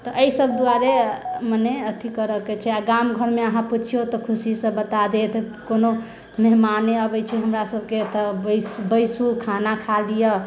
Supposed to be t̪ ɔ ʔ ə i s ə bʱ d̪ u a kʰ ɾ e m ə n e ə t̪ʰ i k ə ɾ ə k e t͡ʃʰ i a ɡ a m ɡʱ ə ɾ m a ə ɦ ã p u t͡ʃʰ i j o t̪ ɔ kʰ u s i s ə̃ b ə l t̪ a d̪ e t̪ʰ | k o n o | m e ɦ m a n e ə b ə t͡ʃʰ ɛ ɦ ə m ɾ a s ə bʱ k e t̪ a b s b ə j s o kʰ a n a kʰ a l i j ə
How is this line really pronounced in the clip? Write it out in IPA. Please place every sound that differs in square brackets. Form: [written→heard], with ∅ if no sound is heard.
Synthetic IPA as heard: t̪ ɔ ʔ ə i s ə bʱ d̪ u a [kʰ→∅] ɾ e m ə n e ə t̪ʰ i k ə ɾ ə k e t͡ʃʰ [i→ɛ] a ɡ a m ɡʱ ə ɾ m [a→e] ə ɦ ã p u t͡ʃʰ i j o t̪ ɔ kʰ u s i s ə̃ b ə [l→∅] t̪ a d̪ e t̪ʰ | k o n o | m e ɦ m a n e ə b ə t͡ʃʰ ɛ ɦ ə m ɾ a s ə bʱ k e t̪ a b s b ə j s [o→u] kʰ a n a kʰ a l i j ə